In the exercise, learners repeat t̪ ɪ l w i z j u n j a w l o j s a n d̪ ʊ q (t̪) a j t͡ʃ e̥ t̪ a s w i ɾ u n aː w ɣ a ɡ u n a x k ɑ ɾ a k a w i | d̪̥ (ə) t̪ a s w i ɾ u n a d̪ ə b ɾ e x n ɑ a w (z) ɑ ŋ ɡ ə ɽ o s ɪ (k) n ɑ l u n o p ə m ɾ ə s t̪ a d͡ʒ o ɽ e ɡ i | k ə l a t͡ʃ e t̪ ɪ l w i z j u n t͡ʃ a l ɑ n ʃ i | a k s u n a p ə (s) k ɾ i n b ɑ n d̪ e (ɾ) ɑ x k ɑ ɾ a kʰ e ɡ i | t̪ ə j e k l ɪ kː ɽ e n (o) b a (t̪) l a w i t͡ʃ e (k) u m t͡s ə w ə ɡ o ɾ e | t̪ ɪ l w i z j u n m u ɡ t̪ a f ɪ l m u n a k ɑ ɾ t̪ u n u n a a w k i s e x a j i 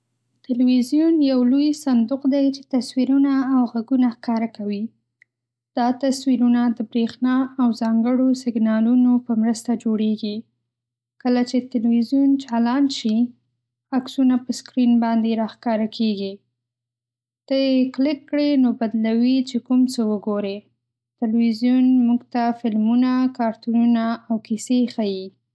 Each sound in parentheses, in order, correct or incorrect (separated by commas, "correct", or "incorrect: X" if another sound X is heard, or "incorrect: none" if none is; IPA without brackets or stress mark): incorrect: d̪, incorrect: ɑ, correct, incorrect: ɡ, correct, correct, correct, incorrect: d̪, correct